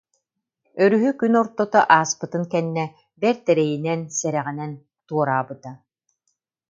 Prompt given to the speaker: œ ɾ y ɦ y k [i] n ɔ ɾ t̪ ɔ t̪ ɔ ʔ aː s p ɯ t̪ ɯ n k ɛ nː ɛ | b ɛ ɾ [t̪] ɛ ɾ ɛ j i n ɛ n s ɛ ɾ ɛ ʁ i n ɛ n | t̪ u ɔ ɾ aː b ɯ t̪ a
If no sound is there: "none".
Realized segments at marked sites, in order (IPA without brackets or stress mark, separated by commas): y, t̪